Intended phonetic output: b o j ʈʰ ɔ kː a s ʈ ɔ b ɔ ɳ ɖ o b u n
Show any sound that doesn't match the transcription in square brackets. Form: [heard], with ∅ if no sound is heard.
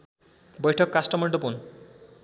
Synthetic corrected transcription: b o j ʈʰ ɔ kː a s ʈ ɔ [m] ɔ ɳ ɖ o [p] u n